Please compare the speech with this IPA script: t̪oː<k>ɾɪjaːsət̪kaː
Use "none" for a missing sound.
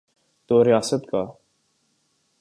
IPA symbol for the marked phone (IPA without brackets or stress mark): none